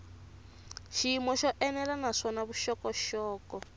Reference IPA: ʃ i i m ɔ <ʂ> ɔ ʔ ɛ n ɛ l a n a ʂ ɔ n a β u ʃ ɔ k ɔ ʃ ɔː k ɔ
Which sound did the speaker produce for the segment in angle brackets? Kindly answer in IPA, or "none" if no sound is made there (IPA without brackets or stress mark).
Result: ʃ